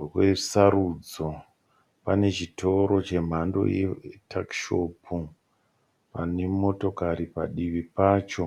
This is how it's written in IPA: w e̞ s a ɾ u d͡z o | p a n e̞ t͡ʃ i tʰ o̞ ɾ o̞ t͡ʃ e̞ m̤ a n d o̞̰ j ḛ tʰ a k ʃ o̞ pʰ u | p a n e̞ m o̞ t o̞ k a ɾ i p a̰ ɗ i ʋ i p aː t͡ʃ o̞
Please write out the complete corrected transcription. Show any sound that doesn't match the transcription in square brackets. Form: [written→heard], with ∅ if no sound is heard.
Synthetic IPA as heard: w e̞ s a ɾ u d͡z o | p a n e̞ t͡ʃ i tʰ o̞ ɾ o̞ t͡ʃ e̞ m̤ a n d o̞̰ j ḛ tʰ a k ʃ o̞ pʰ u | p a n e̞ m o̞ t o̞ k a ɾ i p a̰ ɗ i ʋ i p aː t͡ʃ o̞

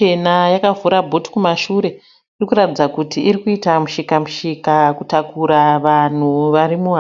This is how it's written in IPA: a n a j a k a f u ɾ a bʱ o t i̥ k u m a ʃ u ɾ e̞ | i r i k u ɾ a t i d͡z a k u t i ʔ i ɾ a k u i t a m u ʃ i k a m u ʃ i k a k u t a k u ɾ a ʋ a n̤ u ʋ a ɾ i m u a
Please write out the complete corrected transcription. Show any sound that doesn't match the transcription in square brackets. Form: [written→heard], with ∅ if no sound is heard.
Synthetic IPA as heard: [a→e] n a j a k a [f→v] u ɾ a bʱ o t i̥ k u m a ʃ u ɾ e̞ | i r i k u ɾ a t i d͡z a k u t i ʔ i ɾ [a→i] k u i t a m u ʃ i k a m u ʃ i k a k u t a k u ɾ a ʋ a n̤ u ʋ a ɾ i m u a

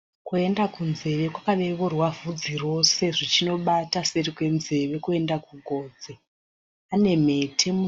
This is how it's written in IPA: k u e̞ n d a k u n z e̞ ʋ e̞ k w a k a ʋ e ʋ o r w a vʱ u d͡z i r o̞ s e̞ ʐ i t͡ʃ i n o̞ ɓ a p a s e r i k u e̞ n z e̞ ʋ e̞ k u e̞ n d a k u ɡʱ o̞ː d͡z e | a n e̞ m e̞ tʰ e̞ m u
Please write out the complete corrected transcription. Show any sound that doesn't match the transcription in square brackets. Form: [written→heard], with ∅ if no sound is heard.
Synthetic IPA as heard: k u e̞ n d a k u n z e̞ ʋ e̞ k w a k a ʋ e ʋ o r w a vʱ u d͡z i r o̞ s e̞ ʐ i t͡ʃ i n o̞ ɓ a [p→t] a s e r i k [u→w] e̞ n z e̞ ʋ e̞ k u e̞ n d a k u ɡʱ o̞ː d͡z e | a n e̞ m e̞ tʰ e̞ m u

